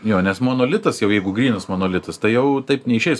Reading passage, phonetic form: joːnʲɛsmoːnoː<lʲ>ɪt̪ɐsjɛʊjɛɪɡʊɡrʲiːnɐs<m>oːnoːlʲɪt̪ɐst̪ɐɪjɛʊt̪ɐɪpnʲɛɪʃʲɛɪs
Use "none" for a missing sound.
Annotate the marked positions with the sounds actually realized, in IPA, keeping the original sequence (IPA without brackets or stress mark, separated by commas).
lʲ, m